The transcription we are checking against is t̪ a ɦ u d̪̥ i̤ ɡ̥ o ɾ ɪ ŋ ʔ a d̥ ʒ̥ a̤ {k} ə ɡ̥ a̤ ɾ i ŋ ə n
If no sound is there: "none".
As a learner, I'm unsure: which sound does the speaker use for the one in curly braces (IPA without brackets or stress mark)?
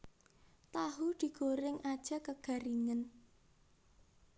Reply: k